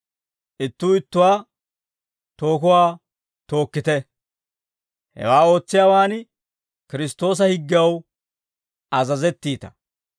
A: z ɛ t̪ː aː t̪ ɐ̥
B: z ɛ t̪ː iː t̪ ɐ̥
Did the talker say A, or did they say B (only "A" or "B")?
B